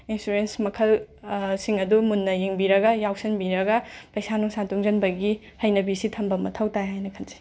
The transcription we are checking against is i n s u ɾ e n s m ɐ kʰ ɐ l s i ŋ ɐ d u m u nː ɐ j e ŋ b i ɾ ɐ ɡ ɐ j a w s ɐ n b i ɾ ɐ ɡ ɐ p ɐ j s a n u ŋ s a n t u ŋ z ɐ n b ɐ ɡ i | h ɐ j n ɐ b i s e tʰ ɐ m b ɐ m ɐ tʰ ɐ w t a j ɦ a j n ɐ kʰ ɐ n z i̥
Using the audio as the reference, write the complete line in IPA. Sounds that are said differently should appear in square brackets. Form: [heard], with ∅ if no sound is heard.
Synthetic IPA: i n s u ɾ e n s m ɐ kʰ ɐ l s i ŋ ɐ d u m u nː ɐ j e ŋ b i ɾ ɐ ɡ ɐ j a w s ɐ n b i ɾ ɐ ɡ ɐ p ɐ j s a n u ŋ s a n t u ŋ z ɐ n b ɐ ɡ i | h ɐ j n ɐ b i s [i] tʰ ɐ m b ɐ m ɐ tʰ ɐ w t a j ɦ a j n ɐ kʰ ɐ n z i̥